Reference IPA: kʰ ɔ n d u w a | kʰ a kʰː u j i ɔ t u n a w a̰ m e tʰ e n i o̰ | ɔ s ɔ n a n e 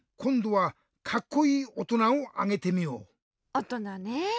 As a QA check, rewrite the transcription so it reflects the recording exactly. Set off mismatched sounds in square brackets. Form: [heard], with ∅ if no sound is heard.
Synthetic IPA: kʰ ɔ n d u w a | kʰ a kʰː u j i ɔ t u n a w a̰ [ŋ] e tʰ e [m] i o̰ | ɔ [t] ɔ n a n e